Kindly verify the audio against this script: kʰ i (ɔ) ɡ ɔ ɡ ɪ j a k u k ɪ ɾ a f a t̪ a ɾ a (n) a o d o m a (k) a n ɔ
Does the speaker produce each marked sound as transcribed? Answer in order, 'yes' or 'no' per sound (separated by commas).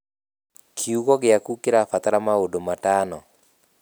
no, no, no